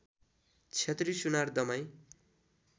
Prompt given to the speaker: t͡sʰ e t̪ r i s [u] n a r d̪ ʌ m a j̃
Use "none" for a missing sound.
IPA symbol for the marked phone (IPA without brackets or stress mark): u